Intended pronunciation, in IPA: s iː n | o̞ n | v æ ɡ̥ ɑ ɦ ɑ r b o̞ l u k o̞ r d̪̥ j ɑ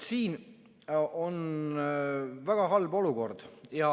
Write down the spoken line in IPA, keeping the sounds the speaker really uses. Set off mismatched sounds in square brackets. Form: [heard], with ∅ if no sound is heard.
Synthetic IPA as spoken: s iː n | o̞ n | v æ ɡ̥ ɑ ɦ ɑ [l] b o̞ l u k o̞ r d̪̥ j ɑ